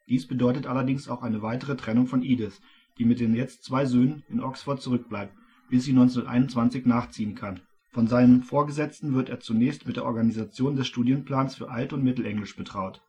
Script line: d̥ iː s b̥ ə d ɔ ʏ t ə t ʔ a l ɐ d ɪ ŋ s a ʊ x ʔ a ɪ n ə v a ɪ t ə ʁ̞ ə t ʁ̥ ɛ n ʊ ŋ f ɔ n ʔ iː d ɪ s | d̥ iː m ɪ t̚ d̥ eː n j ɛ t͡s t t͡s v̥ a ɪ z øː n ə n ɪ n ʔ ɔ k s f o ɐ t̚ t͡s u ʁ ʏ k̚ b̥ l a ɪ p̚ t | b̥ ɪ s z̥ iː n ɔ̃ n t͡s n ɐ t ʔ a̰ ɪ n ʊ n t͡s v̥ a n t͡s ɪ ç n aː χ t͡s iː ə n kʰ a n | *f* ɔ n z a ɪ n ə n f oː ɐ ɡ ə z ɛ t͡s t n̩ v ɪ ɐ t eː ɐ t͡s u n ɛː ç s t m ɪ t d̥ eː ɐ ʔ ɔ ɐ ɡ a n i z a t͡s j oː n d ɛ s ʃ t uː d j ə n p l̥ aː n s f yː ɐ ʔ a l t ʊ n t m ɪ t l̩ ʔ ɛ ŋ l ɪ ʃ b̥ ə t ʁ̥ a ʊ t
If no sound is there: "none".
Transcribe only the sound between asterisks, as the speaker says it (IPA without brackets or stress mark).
f